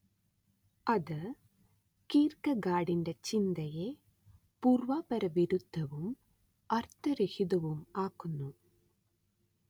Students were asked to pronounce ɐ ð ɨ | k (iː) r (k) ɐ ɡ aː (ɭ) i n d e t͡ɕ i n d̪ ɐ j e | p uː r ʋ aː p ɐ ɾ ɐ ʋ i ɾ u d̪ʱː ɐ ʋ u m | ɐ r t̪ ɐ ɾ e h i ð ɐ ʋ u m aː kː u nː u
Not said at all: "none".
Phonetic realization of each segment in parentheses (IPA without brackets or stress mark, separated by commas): iː, k, ɽ